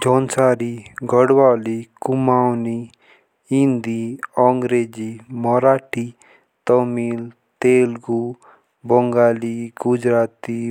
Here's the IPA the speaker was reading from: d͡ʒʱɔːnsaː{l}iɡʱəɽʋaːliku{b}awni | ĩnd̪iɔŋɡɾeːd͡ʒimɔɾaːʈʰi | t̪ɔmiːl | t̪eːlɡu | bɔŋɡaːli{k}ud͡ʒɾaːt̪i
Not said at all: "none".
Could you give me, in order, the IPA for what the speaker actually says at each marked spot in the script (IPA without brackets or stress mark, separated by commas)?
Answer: ɾ, m, ɡ